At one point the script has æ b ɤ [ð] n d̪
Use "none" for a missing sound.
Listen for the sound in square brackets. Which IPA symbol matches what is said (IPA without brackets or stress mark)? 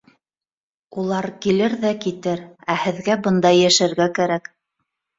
none